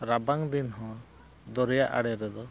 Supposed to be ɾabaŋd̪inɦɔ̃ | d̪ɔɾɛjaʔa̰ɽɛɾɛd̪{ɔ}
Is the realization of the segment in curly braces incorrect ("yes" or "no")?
no